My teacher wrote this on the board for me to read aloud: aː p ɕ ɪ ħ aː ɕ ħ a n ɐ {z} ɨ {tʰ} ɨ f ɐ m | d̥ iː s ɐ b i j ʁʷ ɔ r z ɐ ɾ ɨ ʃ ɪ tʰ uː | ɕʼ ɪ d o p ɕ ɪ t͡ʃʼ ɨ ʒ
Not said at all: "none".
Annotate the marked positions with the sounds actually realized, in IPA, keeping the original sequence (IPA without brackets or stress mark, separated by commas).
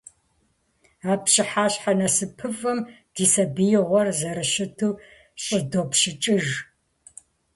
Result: s, pʰ